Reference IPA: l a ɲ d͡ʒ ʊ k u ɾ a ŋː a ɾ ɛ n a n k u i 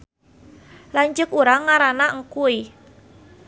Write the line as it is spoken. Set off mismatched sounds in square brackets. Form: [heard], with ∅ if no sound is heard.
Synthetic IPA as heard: l a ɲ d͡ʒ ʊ k u ɾ a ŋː a ɾ [a] n a [ŋ] k u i